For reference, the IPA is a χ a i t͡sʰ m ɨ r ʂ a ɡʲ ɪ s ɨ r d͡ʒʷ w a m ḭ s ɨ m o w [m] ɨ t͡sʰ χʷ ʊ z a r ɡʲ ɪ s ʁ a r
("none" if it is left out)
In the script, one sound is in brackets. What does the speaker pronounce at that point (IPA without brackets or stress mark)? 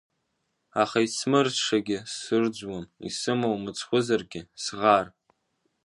m